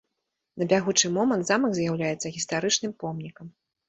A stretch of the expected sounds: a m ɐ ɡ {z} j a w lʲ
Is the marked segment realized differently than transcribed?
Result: no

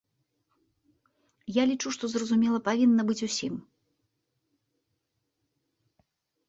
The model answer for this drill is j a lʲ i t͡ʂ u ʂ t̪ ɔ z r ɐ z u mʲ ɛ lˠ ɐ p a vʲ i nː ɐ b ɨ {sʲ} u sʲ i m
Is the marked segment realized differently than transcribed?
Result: yes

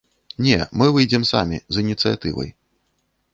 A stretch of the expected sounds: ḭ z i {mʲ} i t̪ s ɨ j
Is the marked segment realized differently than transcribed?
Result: yes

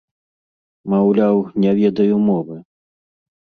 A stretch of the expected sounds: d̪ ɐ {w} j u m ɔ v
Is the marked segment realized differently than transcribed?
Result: yes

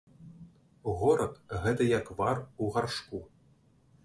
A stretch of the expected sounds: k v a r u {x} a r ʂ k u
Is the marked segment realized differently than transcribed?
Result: yes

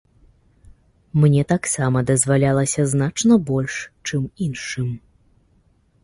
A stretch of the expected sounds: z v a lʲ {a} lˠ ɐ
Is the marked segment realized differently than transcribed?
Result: no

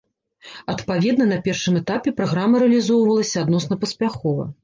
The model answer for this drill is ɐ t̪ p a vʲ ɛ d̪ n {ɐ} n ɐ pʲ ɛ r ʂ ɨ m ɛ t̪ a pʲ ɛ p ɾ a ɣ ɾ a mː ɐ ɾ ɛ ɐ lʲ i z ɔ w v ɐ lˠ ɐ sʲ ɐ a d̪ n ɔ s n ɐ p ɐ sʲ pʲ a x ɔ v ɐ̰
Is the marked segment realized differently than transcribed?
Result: no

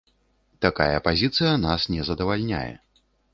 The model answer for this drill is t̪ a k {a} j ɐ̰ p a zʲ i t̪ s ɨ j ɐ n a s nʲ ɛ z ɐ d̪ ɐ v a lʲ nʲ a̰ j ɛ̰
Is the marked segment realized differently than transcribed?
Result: no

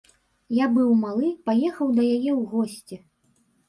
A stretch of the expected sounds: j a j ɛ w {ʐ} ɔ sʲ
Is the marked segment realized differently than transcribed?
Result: yes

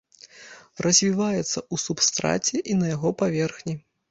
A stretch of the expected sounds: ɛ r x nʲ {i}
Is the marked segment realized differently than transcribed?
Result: no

